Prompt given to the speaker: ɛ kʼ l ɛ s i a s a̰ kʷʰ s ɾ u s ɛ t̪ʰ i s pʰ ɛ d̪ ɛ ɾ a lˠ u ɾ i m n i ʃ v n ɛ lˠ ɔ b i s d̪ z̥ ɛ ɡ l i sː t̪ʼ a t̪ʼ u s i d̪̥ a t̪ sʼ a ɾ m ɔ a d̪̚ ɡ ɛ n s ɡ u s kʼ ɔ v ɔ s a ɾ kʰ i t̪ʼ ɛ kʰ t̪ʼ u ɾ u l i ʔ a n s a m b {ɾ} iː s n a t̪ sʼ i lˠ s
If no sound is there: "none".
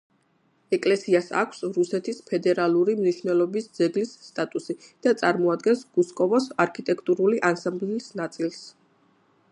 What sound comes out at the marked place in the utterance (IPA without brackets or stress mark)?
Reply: l